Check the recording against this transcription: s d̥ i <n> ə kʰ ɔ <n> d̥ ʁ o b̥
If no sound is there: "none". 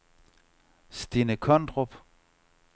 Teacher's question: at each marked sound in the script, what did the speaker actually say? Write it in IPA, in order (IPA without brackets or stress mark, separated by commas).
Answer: n, n